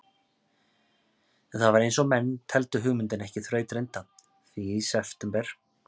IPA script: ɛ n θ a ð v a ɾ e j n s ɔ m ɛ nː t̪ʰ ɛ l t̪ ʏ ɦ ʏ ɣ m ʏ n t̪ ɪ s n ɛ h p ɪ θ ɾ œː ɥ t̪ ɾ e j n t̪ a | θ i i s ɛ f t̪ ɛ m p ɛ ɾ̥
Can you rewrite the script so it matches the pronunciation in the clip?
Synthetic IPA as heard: ɛ n θ a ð v a ɾ e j n s ɔ m ɛ nː t̪ʰ ɛ l t̪ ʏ ɦ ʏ ɣ m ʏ n t̪ ɪ n ɛ h c ɪ θ ɾ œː ɥ t̪ ɾ e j n t̪ a | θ i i s ɛ f t̪ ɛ m p ɛ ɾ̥